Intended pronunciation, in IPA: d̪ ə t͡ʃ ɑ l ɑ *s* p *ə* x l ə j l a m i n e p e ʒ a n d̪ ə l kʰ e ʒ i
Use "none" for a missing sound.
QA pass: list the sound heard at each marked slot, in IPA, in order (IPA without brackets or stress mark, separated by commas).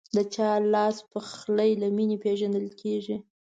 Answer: s, ə